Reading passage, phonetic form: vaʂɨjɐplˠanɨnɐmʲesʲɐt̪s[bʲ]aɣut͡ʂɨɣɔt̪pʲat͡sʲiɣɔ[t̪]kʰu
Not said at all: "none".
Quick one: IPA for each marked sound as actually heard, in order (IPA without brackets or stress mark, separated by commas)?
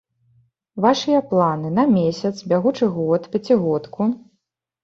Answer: bʲ, t̪